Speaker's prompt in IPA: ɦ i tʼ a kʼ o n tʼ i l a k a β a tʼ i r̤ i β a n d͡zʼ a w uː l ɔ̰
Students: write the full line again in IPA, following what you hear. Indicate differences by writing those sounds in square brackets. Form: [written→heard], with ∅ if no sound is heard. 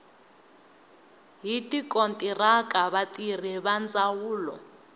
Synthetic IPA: ɦ i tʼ [a→i] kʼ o n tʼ i [l→r] a k a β a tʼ i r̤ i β a n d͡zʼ a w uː l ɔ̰